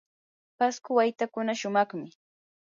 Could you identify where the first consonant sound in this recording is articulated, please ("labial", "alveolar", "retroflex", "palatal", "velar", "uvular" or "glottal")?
labial